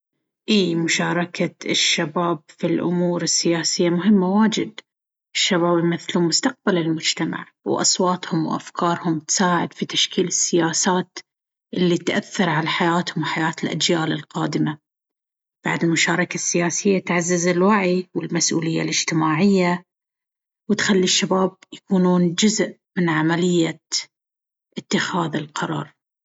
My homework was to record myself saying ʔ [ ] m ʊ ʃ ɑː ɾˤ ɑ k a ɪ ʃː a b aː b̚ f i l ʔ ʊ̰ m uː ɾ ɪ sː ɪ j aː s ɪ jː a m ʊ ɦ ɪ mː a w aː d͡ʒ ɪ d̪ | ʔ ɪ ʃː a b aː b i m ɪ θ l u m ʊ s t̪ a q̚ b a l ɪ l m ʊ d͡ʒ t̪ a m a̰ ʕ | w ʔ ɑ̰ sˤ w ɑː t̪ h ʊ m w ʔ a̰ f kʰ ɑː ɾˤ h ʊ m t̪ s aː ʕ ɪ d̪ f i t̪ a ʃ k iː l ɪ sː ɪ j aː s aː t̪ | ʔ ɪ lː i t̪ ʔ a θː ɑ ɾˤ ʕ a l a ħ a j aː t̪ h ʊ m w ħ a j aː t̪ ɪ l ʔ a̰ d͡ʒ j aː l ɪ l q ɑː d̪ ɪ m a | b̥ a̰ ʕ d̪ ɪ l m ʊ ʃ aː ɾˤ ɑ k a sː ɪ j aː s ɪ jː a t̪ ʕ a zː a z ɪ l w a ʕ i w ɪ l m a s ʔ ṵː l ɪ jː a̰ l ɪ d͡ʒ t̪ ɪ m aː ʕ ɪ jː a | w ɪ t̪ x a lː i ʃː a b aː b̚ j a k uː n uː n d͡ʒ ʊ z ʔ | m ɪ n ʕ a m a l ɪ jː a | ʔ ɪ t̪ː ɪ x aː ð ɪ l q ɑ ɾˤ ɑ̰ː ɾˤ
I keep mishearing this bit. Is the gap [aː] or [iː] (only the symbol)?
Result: iː